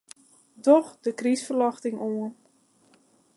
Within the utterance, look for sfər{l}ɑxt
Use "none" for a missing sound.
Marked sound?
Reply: l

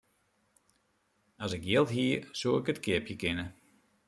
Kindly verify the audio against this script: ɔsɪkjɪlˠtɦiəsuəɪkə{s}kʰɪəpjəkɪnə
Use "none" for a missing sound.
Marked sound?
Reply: t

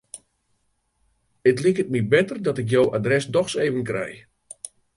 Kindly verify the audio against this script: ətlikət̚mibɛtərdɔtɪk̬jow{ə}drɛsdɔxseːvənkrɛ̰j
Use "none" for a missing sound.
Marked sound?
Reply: a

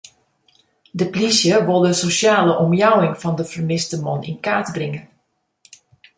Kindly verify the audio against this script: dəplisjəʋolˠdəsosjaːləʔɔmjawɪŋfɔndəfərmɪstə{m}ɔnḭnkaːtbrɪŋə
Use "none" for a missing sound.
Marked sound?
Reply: m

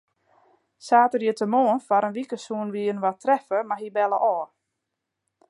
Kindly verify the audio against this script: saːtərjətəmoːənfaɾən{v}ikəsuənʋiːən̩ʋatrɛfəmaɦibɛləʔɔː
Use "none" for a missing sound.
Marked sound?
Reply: ʋ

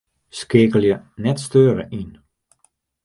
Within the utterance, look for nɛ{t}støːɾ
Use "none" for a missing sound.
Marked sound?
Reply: t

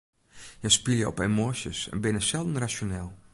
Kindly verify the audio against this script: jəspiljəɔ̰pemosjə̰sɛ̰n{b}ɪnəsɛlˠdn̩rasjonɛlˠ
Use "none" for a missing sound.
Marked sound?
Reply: b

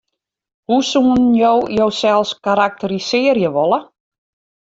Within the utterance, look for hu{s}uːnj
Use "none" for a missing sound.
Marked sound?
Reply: s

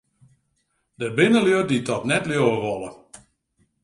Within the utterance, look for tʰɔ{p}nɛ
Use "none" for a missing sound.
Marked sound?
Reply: t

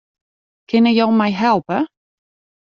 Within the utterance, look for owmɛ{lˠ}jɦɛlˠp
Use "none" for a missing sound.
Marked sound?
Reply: none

